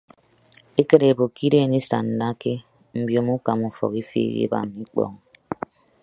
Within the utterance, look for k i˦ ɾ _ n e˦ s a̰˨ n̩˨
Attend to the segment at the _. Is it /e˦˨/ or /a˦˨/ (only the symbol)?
e˦˨